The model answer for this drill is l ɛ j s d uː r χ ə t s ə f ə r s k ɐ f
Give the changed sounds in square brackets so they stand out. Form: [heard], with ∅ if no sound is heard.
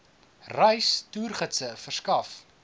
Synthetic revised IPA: [r] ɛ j s [t] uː r χ ə t s ə f ə r s k ɐ f

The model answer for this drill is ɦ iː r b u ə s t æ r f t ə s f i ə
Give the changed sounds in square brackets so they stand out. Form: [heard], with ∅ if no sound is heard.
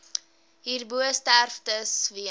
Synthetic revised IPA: ɦ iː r b u ə s t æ r f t ə s [v] i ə

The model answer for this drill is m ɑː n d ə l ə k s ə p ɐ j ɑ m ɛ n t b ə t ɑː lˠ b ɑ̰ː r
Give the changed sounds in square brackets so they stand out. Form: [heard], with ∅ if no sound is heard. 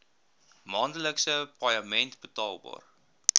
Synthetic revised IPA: m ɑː n d ə l ə k s ə p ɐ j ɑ m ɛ n t b ə t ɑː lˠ b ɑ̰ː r

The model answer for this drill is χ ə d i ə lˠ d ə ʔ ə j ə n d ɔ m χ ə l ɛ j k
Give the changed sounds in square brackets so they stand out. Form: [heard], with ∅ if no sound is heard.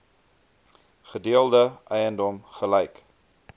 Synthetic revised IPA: χ ə d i ə lˠ d ə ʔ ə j ə n d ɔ m χ ə l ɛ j k

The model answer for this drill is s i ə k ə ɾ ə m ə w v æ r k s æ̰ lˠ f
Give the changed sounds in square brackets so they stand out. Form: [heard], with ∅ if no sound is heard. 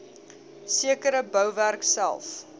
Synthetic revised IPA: s i ə k ə ɾ ə [b] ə w v æ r k s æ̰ lˠ f

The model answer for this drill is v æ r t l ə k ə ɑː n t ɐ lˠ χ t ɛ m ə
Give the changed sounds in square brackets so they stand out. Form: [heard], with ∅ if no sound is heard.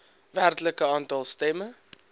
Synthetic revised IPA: v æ r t l ə k ə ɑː n t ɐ lˠ [s] t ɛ m ə

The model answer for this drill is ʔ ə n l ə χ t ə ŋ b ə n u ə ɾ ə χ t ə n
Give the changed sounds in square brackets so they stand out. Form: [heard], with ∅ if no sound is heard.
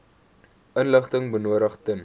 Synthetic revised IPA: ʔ ə n l ə χ t ə ŋ b ə n u ə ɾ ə χ t ə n

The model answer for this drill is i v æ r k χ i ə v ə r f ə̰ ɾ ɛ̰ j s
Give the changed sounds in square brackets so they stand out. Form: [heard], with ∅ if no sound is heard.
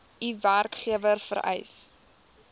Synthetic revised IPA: i v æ r k χ i ə v ə r f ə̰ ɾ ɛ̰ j s

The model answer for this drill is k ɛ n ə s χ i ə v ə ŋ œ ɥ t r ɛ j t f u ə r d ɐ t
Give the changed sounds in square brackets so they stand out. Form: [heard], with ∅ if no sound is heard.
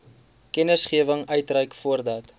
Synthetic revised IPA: k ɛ n ə s χ i ə v ə ŋ œ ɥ t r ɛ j [k] f u ə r d ɐ t

